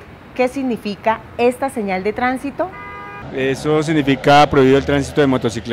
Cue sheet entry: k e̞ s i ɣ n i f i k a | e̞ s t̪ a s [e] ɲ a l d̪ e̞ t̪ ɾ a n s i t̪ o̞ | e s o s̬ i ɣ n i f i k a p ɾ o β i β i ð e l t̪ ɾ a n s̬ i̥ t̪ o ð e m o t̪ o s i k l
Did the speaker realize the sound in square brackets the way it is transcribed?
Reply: yes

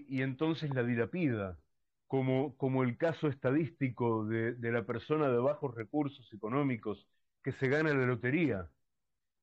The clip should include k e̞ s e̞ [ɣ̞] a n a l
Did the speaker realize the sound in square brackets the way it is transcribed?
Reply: yes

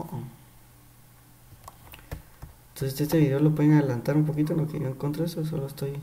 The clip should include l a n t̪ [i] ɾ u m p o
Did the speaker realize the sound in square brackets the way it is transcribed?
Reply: no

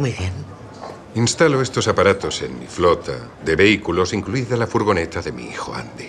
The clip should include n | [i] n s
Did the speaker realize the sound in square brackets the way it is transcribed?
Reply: yes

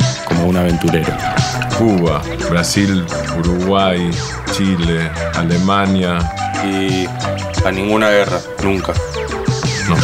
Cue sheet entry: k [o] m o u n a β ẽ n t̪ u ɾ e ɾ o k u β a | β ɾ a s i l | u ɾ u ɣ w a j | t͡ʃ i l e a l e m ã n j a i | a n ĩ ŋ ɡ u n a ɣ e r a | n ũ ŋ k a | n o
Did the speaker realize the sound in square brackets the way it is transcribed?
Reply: yes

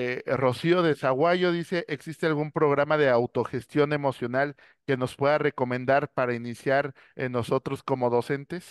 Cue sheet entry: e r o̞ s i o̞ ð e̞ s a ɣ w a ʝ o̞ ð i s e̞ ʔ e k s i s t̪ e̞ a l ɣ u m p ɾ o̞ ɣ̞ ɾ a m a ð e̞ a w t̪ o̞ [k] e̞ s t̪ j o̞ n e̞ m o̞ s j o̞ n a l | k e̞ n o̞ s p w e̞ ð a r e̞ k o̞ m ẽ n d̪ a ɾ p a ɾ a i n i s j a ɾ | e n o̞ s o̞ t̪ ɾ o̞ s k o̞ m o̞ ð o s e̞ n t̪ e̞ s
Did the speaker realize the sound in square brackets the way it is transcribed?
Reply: no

